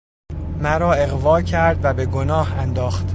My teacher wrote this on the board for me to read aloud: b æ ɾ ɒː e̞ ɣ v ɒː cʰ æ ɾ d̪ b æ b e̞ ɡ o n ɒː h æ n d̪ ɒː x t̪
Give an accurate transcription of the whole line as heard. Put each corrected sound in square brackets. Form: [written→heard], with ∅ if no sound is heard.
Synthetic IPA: [b→m] æ ɾ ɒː e̞ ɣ v ɒː cʰ æ ɾ d̪ [b→v] æ b e̞ ɡ o n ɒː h æ n d̪ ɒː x t̪